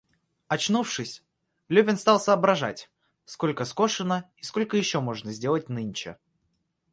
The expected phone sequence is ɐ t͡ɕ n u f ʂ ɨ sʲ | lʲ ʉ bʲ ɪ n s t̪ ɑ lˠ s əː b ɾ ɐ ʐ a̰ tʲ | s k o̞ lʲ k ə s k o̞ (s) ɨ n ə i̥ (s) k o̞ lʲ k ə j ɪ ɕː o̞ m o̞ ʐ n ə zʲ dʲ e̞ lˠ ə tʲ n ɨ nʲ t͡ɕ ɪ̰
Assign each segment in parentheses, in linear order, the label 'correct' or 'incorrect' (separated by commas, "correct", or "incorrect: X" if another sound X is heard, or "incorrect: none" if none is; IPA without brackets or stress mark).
incorrect: ʂ, correct